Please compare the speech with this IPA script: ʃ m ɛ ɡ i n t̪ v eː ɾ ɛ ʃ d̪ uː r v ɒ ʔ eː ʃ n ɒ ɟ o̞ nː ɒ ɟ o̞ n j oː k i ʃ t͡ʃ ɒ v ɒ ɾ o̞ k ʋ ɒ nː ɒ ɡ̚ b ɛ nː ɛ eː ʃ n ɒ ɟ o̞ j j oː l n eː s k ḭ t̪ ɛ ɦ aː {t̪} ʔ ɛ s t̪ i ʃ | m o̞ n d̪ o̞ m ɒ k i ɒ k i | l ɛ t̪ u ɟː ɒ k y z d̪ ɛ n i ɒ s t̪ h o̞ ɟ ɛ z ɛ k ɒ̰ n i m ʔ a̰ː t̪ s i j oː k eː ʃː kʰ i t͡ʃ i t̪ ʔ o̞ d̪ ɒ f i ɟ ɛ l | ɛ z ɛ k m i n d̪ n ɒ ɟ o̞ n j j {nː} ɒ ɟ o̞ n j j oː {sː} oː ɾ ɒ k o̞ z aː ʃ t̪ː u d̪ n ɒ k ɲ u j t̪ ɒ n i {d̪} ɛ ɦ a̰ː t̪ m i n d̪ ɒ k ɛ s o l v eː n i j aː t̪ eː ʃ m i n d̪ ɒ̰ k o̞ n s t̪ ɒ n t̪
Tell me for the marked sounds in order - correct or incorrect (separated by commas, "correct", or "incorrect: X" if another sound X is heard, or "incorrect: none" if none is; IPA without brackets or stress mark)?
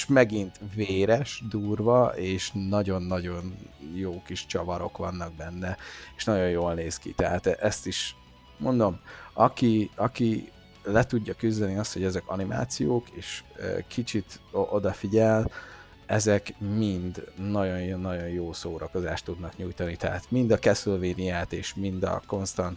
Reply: correct, correct, incorrect: s, incorrect: t̪